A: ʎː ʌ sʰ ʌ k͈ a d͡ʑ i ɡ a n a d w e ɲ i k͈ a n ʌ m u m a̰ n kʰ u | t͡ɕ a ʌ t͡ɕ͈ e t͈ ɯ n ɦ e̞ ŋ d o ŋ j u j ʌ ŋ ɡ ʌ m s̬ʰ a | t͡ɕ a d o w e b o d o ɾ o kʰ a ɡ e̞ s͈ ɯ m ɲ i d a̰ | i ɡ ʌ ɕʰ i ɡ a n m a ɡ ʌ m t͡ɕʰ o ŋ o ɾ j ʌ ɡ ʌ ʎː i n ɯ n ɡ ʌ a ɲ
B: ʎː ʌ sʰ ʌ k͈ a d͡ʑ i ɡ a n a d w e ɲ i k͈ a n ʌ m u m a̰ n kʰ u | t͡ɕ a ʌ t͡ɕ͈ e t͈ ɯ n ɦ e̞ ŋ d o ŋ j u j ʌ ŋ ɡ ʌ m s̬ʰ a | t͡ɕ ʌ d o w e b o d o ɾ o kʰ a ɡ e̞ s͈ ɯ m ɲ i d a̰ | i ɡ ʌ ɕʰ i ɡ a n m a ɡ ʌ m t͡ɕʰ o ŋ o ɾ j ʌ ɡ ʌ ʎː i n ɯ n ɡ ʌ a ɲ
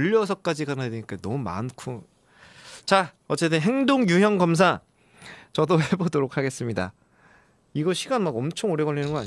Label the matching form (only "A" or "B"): B